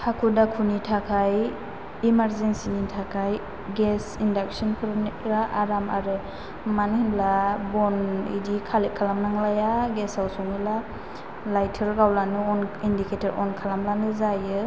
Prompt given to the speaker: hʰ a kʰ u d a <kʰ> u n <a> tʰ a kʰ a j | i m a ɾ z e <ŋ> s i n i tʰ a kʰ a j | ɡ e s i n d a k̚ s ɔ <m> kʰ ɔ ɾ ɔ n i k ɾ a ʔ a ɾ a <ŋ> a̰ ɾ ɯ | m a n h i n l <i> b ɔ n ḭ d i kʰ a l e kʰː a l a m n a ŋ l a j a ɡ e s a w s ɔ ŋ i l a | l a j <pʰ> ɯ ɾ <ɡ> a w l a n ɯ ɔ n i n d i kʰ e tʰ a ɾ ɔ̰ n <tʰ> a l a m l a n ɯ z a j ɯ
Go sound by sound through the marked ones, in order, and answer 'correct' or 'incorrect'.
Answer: correct, incorrect: i, incorrect: n, incorrect: n, incorrect: m, incorrect: a, incorrect: tʰ, correct, incorrect: kʰ

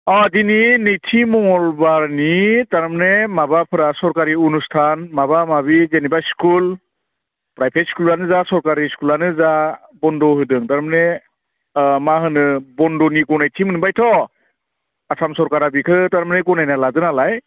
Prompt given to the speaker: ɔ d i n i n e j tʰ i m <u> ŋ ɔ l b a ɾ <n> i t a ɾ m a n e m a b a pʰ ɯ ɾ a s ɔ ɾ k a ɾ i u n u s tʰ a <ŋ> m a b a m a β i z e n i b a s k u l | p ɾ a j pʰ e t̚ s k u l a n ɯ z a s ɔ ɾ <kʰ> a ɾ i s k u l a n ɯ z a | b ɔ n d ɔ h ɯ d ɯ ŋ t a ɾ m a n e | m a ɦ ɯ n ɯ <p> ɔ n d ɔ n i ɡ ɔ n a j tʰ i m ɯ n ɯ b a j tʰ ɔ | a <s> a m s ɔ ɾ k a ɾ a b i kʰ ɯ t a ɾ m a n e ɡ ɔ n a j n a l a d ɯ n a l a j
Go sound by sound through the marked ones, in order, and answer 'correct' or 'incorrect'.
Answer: incorrect: ɔ, correct, incorrect: n, incorrect: k, incorrect: b, correct

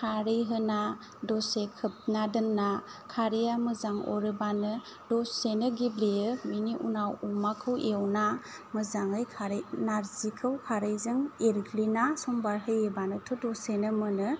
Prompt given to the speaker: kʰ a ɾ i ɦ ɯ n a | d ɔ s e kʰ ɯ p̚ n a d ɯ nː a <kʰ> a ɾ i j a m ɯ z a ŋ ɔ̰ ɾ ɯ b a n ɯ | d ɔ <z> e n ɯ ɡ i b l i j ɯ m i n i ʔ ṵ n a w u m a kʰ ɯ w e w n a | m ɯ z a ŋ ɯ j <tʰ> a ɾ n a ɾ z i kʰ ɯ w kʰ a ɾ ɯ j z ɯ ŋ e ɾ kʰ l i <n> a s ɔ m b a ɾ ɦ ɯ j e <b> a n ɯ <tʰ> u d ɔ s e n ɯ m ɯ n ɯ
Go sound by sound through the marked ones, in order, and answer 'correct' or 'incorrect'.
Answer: correct, incorrect: s, incorrect: kʰ, correct, correct, correct

